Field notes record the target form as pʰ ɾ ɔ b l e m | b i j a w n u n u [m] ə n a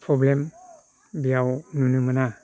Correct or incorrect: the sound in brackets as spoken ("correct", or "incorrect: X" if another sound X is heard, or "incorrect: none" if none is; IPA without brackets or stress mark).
correct